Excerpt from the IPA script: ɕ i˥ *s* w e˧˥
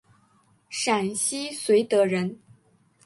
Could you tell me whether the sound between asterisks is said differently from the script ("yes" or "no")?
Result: no